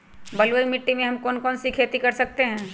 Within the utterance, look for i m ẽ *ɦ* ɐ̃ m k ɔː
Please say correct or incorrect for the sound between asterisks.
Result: correct